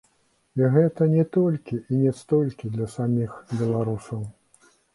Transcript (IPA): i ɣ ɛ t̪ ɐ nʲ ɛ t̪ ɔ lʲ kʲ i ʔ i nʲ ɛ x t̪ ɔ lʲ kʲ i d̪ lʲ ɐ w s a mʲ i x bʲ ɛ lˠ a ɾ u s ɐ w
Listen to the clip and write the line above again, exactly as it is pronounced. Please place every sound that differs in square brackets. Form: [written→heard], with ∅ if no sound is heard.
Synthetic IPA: i ɣ ɛ t̪ ɐ nʲ ɛ t̪ ɔ lʲ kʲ i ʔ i nʲ ɛ [x→s] t̪ ɔ lʲ kʲ i d̪ lʲ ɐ [w→∅] s a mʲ i x bʲ ɛ lˠ a ɾ u s ɐ w